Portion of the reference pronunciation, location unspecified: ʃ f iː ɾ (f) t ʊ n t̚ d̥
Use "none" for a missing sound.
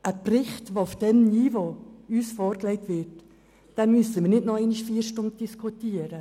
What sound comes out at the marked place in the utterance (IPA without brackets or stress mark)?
ʃ